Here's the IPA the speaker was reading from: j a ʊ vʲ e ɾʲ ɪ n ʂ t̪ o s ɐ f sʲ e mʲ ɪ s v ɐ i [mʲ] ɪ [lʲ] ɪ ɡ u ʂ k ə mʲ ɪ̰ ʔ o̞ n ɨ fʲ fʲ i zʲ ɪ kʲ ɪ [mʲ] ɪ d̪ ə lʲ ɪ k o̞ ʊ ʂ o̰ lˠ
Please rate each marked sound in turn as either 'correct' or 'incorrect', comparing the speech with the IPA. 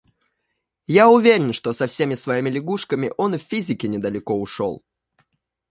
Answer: correct, correct, incorrect

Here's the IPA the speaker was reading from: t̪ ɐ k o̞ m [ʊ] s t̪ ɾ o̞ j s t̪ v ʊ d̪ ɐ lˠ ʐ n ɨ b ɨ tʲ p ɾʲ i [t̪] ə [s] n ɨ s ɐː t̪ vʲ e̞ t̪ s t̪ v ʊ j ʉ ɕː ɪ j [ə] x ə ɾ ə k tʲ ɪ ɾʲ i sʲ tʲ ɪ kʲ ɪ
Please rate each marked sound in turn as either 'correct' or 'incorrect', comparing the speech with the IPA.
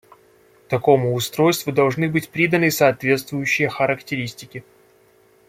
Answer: incorrect, incorrect, incorrect, correct

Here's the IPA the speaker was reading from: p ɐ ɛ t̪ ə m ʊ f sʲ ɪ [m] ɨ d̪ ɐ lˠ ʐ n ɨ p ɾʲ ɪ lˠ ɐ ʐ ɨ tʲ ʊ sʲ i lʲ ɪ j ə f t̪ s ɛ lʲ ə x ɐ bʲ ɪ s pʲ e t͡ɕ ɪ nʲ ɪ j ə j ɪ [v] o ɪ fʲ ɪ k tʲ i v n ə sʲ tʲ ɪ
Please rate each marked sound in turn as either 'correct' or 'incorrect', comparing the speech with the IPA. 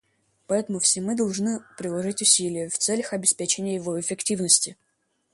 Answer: correct, correct

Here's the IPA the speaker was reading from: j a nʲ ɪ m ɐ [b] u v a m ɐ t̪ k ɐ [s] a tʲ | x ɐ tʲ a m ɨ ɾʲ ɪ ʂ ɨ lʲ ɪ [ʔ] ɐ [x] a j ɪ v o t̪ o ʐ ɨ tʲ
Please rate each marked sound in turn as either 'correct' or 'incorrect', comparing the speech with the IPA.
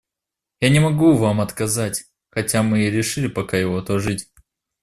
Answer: incorrect, incorrect, incorrect, incorrect

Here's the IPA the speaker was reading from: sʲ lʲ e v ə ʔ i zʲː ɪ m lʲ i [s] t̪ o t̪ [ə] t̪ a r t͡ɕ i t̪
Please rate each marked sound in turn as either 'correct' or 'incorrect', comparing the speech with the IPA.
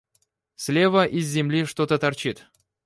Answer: incorrect, correct

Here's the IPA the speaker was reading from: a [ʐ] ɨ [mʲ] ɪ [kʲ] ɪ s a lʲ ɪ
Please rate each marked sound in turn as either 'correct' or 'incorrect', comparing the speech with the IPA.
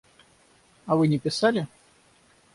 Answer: incorrect, incorrect, incorrect

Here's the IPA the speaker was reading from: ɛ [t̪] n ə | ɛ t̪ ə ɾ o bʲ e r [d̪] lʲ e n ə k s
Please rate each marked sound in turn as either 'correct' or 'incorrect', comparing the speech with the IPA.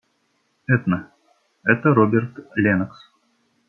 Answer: correct, incorrect

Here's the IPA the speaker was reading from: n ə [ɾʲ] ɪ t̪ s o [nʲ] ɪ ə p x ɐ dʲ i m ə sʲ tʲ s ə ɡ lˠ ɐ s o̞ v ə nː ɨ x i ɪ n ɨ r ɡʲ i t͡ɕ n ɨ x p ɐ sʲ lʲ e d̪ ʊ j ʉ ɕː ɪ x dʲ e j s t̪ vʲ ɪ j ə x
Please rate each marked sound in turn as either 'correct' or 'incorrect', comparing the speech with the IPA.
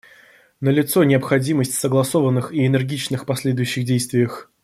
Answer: incorrect, correct

